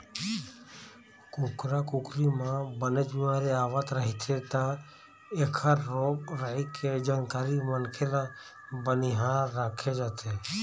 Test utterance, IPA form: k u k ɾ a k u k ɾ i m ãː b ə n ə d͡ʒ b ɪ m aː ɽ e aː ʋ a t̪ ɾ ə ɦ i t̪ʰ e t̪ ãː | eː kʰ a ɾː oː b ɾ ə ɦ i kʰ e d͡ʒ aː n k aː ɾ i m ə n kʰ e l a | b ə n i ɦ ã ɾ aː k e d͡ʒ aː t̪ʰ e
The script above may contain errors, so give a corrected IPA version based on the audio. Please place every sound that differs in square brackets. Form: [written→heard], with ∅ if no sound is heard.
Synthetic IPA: k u k ɾ a k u k ɾ i m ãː b ə n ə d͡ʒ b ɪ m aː [ɽ→ɾ] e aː ʋ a t̪ ɾ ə ɦ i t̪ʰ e t̪ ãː | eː kʰ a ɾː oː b ɾ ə ɦ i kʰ e d͡ʒ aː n k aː ɾ i m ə n kʰ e l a | b ə n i ɦ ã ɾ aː [k→kʰ] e d͡ʒ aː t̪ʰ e